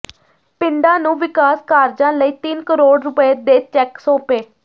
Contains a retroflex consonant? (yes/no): yes